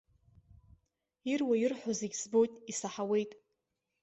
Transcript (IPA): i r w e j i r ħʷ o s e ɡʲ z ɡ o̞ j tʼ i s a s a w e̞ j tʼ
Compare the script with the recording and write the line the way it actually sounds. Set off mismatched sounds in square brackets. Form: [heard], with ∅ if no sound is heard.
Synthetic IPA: i r w [a] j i r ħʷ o [z] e ɡʲ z [b] o̞ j tʼ i s a [ħ] a w e̞ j tʼ